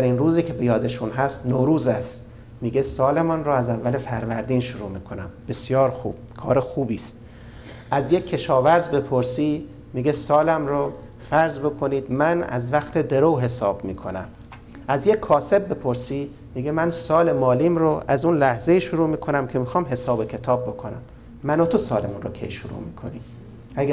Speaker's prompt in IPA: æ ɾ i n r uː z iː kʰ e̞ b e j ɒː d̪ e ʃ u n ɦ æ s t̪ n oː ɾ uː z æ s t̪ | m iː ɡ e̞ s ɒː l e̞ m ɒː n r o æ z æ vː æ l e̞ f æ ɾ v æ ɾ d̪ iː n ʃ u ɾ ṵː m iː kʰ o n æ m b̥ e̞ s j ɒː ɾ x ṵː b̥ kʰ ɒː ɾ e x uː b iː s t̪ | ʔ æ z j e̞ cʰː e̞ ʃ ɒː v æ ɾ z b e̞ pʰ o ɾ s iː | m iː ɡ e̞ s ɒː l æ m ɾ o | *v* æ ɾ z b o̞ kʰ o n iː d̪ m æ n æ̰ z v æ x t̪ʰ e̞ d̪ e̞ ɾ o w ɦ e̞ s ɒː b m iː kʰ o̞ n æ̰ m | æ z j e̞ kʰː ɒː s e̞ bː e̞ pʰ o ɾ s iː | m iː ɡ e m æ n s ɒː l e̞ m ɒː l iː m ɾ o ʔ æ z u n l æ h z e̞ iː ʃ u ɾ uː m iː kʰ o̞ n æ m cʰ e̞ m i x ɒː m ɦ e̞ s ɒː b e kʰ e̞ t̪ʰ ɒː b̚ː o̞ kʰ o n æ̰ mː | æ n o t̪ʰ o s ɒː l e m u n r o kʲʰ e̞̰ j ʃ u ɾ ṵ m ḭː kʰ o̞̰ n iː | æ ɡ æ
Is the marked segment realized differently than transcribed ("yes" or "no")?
yes